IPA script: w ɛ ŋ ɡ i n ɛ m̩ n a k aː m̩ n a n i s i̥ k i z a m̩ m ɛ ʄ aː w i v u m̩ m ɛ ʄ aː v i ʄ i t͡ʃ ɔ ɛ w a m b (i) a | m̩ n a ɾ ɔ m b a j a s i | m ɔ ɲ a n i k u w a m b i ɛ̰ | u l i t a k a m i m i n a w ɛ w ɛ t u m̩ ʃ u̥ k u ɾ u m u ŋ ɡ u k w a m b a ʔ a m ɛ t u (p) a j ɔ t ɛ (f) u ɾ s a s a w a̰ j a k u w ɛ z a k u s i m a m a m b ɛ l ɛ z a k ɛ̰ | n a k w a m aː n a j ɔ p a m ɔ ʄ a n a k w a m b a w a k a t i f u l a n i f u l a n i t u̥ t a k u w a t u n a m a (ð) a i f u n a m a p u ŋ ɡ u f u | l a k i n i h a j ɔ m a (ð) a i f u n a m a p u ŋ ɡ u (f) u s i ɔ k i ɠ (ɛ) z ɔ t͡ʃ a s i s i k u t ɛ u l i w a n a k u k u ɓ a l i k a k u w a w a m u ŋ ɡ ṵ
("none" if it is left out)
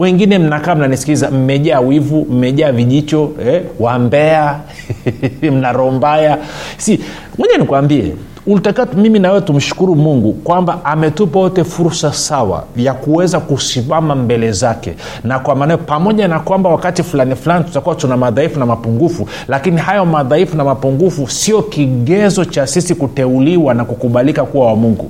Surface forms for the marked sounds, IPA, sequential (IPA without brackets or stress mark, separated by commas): ɛ, p, f, ð, ð, f, ɛ